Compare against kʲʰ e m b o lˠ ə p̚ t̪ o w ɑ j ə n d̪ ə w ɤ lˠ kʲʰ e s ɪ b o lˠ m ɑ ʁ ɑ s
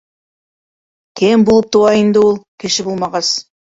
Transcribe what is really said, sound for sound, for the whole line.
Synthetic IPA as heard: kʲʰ e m b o lˠ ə p̚ t̪ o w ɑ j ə n d̪ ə w o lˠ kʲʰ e ʃ ɪ b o lˠ m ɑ ʁ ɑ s